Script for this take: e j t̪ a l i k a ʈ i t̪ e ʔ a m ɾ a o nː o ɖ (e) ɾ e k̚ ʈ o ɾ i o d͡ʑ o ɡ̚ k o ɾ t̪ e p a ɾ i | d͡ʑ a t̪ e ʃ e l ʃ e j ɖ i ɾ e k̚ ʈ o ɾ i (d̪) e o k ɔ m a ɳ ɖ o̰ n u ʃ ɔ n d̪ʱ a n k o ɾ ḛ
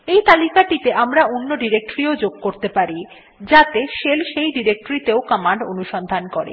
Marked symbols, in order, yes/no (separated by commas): no, no